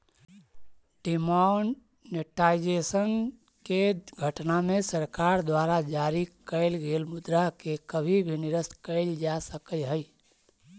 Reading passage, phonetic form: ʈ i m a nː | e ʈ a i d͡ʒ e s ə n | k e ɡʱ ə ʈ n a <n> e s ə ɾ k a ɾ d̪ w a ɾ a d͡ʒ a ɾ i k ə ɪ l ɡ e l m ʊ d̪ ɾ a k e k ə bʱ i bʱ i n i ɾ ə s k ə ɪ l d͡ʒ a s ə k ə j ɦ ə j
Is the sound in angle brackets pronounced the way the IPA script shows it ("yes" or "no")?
no